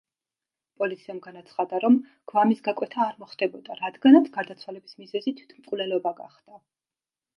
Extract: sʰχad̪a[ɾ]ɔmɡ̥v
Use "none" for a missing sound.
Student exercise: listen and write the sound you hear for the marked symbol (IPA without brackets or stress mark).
ɾ